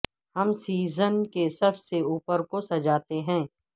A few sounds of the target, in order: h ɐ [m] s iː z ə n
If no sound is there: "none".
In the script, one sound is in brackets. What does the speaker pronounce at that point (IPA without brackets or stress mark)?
m